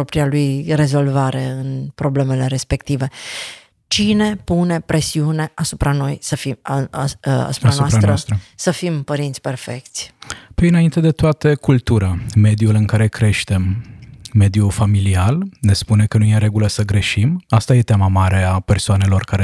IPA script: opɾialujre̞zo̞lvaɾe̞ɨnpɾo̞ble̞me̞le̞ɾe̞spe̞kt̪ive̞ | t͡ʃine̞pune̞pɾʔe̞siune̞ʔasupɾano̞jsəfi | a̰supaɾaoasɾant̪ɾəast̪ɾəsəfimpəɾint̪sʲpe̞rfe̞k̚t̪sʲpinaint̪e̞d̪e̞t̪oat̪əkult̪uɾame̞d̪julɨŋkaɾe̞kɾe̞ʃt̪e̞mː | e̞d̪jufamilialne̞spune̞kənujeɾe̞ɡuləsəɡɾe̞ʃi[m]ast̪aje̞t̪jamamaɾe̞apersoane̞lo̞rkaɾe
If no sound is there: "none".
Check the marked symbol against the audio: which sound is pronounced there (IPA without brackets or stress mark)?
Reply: m